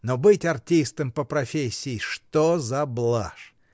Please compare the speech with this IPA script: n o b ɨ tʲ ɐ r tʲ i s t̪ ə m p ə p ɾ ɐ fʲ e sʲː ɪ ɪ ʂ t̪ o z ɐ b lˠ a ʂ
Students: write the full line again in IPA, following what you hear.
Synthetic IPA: n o b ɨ tʲ ɐ r tʲ i s t̪ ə m p ə p ɾ ɐ fʲ e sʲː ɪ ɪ ʂ t̪ o z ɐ b lˠ a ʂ